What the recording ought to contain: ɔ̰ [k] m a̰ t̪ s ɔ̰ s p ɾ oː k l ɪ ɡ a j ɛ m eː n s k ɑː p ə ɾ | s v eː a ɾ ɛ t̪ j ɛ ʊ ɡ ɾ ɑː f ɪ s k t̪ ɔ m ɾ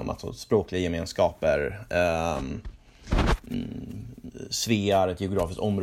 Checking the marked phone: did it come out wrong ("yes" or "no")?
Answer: yes